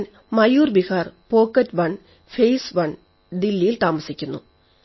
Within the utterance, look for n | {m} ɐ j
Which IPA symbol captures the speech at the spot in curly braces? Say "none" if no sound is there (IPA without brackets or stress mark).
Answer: m